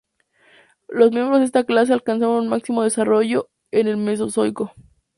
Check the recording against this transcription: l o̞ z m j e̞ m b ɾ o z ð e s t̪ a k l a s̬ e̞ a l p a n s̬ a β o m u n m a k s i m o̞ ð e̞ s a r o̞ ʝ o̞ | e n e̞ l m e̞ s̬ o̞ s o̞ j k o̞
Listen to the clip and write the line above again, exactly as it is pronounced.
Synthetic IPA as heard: l o̞ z m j e̞ m b ɾ o z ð e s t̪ a k l a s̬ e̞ a l k a n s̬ a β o n u n m a k s i m o̞ ð e̞ s a r o̞ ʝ o̞ | e n e̞ l m e̞ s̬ o̞ s o̞ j k o̞

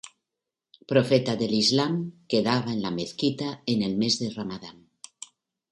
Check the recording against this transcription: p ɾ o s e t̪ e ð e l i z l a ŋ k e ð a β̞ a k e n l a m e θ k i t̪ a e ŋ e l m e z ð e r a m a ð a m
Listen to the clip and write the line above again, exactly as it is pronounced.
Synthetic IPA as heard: p ɾ o f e t̪ a ð e l i z l a m k e ð a β̞ a e n l a m e θ k i t̪ a e n e l m e z ð e r a m a ð a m

